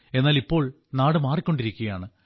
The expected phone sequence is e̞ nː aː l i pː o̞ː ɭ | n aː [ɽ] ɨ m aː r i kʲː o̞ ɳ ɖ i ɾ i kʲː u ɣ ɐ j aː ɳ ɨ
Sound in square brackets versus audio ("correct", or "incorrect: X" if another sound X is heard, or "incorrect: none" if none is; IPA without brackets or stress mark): correct